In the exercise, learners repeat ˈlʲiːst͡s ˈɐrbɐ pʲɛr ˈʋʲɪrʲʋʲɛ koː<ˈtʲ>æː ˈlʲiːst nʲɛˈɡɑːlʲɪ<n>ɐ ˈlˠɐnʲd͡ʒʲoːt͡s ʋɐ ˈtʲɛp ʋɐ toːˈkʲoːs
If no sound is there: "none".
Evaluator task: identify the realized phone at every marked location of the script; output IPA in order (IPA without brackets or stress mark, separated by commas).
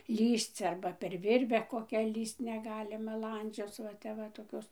kʲ, m